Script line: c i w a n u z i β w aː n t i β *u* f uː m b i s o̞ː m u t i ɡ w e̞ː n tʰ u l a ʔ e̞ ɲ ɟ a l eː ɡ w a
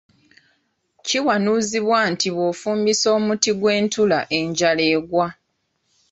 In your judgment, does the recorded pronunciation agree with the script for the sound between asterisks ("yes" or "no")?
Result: no